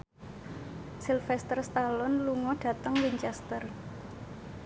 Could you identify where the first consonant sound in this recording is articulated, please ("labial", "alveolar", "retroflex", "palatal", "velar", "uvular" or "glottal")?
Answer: alveolar